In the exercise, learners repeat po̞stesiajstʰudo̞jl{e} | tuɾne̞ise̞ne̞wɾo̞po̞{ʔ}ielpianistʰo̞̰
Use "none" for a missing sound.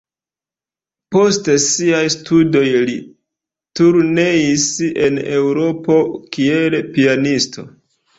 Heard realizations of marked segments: i, k

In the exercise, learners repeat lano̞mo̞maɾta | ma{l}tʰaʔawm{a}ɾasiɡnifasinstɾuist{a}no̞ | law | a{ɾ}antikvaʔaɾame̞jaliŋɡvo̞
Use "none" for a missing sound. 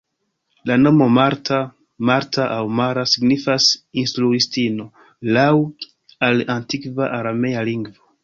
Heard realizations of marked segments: ɾ, a, i, l

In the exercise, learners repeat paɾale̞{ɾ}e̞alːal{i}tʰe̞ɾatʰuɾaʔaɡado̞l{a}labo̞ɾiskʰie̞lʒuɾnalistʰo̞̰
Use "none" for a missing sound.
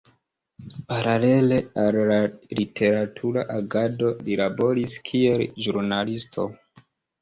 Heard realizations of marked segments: l, i, i

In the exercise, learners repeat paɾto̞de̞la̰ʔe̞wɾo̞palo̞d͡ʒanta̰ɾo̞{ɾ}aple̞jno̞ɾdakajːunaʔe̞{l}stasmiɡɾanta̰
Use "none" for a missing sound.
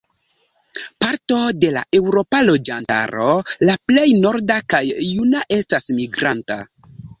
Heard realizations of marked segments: l, none

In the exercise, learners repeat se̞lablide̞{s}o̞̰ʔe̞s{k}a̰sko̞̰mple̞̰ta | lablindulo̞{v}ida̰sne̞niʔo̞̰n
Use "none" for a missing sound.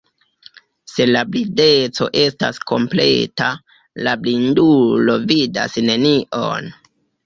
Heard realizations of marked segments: t͡s, t, v

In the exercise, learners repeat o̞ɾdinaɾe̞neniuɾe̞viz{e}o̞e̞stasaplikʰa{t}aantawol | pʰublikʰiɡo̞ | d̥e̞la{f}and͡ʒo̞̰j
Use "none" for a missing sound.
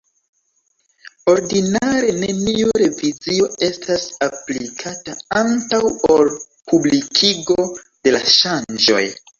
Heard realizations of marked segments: i, t, ʃ

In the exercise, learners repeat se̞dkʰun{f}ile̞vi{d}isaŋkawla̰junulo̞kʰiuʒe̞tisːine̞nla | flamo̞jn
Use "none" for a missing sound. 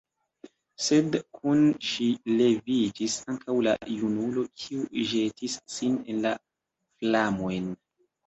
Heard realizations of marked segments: ʃ, d͡ʒ

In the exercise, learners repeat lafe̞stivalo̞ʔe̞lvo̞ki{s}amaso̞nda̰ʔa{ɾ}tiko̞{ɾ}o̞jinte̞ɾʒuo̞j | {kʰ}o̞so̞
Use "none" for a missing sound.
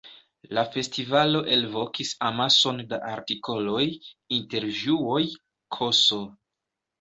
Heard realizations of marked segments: s, ɾ, l, kʰ

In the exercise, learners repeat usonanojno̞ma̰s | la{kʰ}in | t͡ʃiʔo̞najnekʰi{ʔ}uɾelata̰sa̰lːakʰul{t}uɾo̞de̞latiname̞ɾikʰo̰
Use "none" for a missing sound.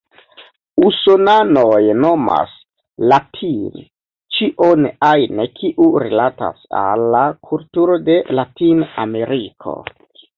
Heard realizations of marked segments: tʰ, ʔ, t

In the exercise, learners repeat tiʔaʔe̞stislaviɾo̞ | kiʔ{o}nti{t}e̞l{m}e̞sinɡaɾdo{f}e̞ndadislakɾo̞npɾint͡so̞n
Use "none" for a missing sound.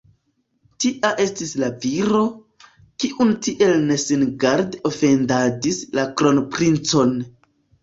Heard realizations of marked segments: u, ʔ, n, f

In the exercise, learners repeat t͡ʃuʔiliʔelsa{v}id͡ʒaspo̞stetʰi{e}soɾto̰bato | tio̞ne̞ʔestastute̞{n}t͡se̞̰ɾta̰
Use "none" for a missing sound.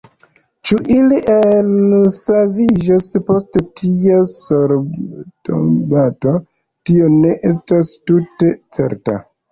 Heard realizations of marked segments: v, a, none

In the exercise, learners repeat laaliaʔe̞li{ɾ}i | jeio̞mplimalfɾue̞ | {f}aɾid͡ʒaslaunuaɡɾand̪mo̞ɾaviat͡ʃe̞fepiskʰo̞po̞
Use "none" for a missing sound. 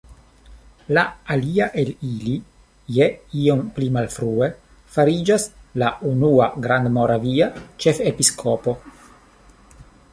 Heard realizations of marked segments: l, f

